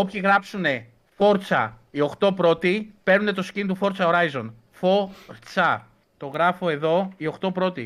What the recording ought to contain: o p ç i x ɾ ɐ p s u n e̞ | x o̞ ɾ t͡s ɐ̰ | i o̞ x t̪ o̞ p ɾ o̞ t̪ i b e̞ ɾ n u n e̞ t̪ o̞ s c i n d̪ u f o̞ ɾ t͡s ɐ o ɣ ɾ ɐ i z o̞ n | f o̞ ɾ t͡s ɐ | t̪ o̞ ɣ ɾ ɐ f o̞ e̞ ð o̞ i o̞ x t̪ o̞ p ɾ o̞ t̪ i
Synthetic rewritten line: o p ç i ɣ ɾ ɐ p s u n e̞ | f o̞ ɾ t͡s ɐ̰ | i o̞ x t̪ o̞ p ɾ o̞ t̪ i p e̞ ɾ n u n e̞ t̪ o̞ s c i n t̪ u f o̞ ɾ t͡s ɐ o ɾ ɐ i z o̞ n | f o̞ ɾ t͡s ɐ | t̪ o̞ ɣ ɾ ɐ f o̞ e̞ ð o̞ i o̞ x t̪ o̞ p ɾ o̞ t̪ i